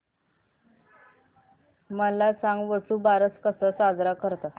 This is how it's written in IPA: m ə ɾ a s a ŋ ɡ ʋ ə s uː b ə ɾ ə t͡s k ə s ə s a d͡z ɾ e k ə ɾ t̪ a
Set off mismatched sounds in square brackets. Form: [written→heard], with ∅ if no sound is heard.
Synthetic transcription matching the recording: m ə [ɾ→l] a [s→t͡s] a ŋ ɡ ʋ ə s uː b [ə→a] ɾ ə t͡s k ə s ə s a d͡z ɾ [e→a] k ə ɾ t̪ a